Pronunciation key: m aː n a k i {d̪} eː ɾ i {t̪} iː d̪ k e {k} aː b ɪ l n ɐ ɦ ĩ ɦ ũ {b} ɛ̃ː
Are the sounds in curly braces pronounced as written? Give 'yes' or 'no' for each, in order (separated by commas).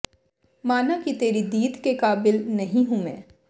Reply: no, no, yes, no